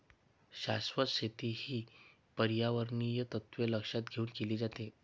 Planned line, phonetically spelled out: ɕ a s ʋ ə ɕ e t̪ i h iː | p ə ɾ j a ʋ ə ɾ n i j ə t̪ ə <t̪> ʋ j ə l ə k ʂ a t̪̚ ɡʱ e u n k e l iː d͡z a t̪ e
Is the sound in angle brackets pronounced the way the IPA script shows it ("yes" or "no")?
yes